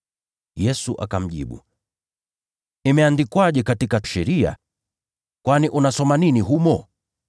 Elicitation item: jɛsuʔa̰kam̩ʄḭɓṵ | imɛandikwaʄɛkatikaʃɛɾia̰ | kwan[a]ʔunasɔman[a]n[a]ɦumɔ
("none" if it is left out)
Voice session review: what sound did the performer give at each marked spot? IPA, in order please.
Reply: i, i, i

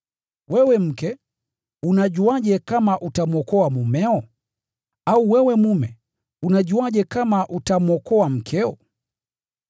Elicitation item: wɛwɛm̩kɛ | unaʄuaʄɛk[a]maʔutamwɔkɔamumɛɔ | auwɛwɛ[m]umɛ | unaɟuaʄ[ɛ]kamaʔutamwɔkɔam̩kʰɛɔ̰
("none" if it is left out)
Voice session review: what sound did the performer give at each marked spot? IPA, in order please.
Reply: a, m, ɛ

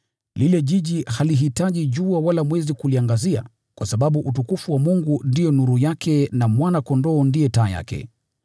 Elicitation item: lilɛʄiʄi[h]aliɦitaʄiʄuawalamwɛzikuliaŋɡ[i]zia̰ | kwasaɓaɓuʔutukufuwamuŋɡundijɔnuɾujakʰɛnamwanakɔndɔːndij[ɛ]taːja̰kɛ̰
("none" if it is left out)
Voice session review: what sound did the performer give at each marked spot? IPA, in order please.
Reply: h, a, ɛ

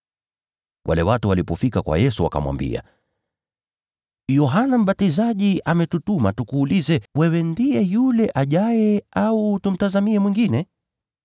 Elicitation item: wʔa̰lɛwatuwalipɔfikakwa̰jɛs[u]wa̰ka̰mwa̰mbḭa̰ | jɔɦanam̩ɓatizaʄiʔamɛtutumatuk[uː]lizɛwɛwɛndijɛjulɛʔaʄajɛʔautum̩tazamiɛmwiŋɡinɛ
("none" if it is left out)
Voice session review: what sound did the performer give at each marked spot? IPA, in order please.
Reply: u, uː

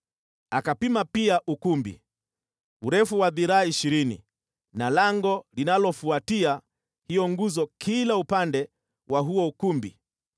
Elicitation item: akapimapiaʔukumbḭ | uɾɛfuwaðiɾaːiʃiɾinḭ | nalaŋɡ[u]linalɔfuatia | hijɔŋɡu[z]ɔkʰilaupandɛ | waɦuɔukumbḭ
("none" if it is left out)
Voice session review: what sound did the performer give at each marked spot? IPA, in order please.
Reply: ɔ, z

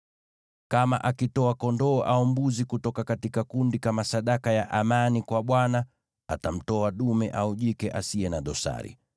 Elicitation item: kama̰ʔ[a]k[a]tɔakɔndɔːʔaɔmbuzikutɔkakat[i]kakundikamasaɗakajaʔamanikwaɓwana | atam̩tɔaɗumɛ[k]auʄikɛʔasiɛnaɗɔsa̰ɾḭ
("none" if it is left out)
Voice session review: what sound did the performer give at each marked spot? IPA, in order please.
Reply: a, i, i, ʔ

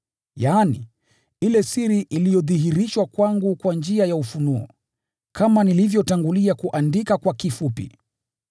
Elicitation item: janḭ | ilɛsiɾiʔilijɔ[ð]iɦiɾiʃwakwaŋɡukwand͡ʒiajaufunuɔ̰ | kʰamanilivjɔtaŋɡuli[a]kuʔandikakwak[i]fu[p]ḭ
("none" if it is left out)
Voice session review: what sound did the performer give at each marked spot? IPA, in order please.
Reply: ð, a, i, p

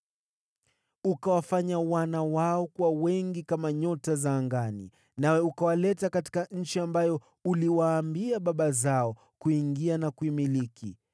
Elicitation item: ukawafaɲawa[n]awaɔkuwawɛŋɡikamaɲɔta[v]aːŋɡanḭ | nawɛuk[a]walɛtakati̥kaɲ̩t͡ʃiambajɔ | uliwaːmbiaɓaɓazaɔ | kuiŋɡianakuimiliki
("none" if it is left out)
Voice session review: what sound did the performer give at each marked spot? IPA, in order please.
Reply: n, z, a

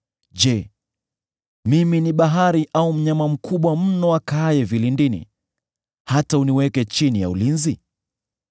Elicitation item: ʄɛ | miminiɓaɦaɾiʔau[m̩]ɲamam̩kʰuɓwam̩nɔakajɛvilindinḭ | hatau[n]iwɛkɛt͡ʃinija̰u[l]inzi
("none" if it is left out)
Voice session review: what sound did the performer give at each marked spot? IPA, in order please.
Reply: m̩, n, l

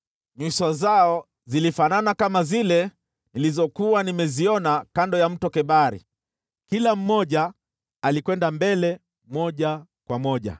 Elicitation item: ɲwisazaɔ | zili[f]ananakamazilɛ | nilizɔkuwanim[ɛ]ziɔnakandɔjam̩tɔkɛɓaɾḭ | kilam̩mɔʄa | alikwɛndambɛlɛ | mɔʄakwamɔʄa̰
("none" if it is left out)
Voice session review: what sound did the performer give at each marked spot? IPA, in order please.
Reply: f, ɛ

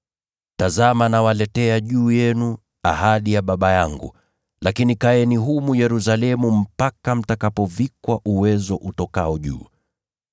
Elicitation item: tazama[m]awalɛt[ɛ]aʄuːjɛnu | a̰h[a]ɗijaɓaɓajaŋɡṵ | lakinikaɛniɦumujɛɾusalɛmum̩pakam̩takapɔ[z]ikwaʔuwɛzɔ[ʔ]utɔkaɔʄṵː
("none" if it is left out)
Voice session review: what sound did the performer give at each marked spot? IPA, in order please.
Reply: n, ɛ, a, v, ʔ

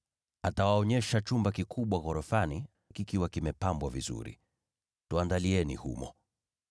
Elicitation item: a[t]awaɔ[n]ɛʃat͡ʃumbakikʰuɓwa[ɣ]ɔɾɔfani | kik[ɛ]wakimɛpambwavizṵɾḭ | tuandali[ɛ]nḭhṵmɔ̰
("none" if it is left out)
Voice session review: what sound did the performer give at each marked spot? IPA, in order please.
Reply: t, ɲ, ɣ, i, ɛ

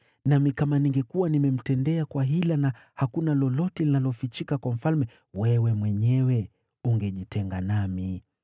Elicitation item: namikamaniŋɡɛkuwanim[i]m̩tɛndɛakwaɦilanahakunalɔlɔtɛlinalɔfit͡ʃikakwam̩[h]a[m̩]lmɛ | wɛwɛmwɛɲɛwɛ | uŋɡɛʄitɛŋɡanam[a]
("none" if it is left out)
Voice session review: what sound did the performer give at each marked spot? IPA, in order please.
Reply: ɛ, f, none, i

